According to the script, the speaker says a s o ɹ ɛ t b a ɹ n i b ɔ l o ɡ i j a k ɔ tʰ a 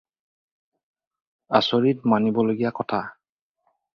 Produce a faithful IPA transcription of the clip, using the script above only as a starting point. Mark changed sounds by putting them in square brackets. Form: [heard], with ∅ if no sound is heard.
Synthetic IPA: a s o ɹ [i] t [m] a [∅] n i b ɔ l o ɡ i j a k ɔ tʰ a